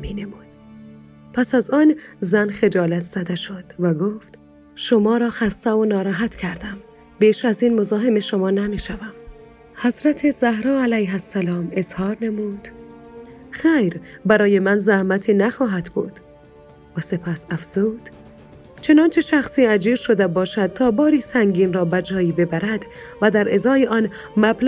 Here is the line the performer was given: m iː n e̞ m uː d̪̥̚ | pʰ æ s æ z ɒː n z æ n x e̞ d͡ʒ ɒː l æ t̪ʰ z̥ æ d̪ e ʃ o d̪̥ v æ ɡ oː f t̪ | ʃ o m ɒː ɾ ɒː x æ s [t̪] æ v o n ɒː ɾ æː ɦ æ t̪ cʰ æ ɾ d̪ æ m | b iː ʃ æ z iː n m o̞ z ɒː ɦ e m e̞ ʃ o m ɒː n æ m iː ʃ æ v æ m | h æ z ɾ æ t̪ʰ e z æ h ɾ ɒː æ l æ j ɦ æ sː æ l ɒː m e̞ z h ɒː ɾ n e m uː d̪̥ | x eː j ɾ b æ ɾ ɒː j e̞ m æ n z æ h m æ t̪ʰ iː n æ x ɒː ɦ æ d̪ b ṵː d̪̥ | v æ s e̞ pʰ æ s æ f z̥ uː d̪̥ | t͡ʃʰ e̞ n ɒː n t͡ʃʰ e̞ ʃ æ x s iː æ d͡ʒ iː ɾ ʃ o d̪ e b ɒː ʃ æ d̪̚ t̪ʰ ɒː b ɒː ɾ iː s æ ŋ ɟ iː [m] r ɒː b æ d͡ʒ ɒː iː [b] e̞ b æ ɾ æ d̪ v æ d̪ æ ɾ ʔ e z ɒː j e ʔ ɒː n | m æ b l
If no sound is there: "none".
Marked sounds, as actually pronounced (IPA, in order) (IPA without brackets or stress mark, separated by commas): t̪, n, b